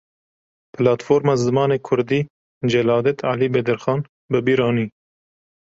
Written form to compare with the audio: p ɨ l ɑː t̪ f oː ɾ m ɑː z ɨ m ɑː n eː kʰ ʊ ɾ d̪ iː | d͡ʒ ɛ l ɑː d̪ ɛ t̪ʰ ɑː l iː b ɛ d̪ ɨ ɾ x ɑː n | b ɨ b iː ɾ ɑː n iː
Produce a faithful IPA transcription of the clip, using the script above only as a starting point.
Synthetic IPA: p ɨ l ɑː t̪ f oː ɾ m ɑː z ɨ m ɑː n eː kʰ ʊ ɾ d̪ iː | d͡ʒ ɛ l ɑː d̪ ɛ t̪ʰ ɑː l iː b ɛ d̪ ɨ ɾ x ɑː n | b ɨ b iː ɾ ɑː n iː